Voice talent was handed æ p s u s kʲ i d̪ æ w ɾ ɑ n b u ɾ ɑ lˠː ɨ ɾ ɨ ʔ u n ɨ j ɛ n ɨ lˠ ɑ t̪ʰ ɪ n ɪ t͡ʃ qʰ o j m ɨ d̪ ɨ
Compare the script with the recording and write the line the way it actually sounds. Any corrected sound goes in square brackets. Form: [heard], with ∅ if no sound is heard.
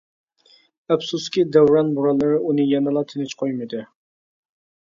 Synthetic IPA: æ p s u s kʲ i d̪ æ w ɾ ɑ n b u ɾ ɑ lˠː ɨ ɾ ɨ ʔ u n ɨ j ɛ n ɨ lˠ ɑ t̪ʰ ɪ n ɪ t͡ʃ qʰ o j m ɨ d̪ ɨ